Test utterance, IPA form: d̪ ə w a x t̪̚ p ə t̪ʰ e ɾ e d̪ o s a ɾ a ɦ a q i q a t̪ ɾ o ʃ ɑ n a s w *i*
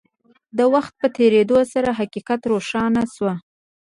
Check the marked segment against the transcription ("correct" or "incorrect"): incorrect